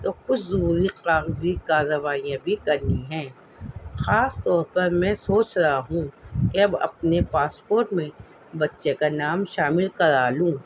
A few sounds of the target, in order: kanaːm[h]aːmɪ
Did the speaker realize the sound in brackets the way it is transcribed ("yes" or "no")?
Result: no